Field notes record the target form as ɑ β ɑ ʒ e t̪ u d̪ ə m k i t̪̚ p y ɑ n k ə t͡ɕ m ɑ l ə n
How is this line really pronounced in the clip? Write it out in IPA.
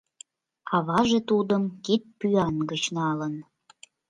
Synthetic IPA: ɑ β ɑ ʒ e t̪ u d̪ ə m k i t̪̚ p y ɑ n ɡ ə t͡ɕ n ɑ l ə n